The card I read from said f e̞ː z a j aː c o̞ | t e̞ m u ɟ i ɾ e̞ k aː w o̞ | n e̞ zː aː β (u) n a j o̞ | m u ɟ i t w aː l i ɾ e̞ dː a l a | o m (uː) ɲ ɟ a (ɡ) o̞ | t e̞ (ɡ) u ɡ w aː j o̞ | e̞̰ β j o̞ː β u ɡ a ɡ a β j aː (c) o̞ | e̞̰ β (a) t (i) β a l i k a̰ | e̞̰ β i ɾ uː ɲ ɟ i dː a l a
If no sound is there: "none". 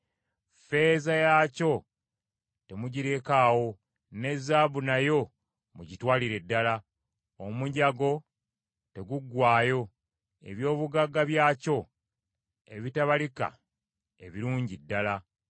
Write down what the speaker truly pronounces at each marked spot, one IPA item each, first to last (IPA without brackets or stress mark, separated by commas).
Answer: u, u, ɡ, ɡ, c, i, a